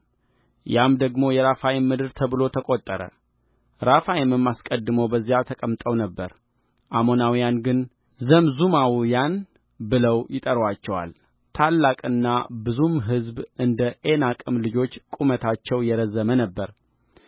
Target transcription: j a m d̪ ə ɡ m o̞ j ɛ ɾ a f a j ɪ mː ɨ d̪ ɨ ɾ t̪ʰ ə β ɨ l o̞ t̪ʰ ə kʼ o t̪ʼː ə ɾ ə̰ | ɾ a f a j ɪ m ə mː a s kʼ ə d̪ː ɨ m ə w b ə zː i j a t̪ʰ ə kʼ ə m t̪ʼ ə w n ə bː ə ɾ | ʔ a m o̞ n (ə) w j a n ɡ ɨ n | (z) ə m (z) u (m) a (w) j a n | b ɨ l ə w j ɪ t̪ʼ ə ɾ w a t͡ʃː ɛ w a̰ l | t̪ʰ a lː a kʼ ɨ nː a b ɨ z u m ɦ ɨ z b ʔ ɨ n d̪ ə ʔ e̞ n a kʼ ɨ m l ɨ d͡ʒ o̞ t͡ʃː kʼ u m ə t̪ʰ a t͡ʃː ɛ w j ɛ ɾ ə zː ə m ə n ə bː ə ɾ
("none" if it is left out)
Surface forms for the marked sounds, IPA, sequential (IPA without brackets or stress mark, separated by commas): a, z, z, m, w